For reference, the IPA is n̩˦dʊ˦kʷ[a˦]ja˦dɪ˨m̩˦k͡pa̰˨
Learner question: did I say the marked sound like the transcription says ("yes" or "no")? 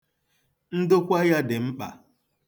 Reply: yes